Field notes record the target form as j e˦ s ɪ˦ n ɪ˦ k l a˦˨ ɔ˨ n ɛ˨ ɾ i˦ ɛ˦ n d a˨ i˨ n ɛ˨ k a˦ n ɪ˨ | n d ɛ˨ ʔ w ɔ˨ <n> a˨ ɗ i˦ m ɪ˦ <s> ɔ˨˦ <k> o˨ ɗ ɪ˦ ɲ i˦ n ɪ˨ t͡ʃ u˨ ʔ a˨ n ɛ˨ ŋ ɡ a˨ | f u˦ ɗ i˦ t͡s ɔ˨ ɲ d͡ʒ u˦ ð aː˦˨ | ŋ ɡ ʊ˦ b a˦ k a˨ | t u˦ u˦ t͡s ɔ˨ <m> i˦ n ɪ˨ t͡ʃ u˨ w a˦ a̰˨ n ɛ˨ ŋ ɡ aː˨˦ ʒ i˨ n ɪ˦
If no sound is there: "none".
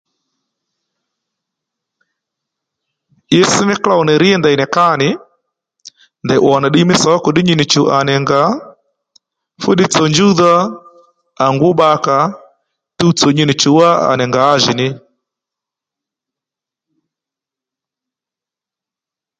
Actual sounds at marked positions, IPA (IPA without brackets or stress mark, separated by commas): n, s, k, ɲ